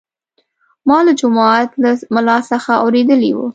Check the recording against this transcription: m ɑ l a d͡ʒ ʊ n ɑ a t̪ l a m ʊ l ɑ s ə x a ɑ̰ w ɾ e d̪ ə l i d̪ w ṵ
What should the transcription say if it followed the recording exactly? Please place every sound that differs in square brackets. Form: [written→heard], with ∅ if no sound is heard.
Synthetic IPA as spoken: m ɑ l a d͡ʒ ʊ [n→m] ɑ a t̪ l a m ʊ l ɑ s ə x a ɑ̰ w ɾ e d̪ ə l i [d̪→∅] w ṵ